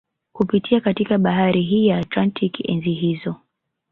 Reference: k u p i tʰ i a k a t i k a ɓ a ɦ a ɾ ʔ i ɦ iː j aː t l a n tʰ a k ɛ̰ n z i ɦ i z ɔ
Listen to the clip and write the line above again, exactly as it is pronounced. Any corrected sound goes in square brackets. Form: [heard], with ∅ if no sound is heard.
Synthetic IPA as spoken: k u p i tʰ i a k a t i k a ɓ a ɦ a ɾ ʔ i ɦ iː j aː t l a n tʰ [i] k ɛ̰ n z i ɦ i z ɔ